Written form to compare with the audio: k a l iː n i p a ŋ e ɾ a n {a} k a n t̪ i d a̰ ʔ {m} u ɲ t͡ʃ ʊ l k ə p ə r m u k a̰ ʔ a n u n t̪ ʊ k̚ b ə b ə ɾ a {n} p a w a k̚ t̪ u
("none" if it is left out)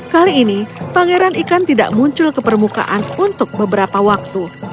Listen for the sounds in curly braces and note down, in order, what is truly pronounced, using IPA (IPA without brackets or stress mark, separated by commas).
i, m, none